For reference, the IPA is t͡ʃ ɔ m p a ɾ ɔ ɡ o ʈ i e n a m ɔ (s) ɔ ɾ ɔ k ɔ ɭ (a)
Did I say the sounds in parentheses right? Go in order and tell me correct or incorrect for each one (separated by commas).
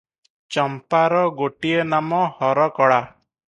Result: incorrect, correct